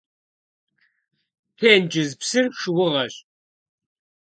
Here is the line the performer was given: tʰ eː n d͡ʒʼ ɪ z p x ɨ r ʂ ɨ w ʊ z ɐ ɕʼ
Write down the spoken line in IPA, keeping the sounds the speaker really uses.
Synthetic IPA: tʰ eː n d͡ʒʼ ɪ z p s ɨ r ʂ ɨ w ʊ ʁ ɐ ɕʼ